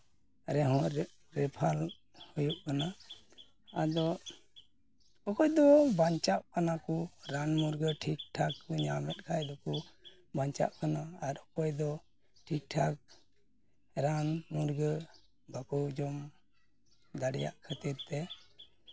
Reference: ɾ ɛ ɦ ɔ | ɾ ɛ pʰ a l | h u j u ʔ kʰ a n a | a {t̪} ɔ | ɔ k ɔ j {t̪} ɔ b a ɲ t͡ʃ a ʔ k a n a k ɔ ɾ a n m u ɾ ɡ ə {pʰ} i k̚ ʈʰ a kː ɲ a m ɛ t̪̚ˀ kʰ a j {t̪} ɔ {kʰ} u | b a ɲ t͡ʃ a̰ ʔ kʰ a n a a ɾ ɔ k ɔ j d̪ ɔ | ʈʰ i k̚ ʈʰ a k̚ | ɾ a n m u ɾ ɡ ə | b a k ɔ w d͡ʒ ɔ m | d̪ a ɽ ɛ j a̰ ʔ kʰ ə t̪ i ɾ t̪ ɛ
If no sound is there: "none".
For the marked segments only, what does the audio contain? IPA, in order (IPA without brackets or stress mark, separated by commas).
d̪, d̪, ʈʰ, d̪, k